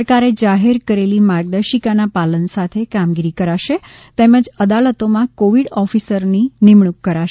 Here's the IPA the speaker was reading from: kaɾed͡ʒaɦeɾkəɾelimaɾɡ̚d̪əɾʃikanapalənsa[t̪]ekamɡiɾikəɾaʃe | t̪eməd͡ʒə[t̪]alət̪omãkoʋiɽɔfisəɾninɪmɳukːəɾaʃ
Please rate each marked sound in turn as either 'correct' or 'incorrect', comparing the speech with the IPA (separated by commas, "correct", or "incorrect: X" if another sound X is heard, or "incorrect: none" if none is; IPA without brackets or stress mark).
incorrect: t̪ʰ, incorrect: d̪